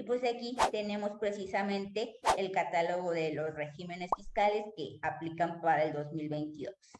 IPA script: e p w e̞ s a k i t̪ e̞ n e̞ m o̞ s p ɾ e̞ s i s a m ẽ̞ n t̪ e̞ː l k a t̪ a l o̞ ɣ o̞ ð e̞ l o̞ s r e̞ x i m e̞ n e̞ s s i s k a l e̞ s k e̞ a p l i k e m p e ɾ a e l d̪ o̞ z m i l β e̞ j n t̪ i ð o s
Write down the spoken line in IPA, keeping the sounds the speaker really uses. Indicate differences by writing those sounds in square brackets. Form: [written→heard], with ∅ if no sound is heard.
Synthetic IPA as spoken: [e→i] p w e̞ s a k i t̪ e̞ n e̞ m o̞ s p ɾ e̞ s i s a m ẽ̞ n t̪ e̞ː l k a t̪ a l o̞ ɣ o̞ ð e̞ l o̞ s r e̞ x i m e̞ n e̞ s [s→f] i s k a l e̞ s k e̞ a p l i k [e→a] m p [e→a] ɾ a e l d̪ o̞ z m i l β e̞ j n t̪ i ð o s